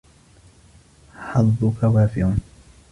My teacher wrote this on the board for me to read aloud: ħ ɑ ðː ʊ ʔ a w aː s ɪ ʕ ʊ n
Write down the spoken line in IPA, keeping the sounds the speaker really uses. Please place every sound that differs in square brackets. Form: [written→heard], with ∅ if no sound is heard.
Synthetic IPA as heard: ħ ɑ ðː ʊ [ʔ→k] a w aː [s→f] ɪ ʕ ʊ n